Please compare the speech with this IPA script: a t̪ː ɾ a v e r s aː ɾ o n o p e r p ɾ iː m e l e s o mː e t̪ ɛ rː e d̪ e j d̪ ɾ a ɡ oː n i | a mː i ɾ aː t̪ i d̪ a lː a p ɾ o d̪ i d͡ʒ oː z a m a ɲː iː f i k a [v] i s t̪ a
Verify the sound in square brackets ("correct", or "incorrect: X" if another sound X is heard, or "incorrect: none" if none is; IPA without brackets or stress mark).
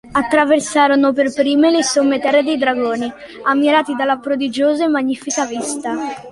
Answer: correct